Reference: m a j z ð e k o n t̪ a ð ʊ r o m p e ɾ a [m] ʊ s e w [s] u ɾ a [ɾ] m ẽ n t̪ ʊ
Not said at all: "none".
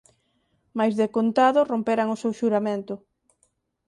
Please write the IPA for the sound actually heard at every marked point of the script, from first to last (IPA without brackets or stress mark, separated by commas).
ŋ, ʃ, none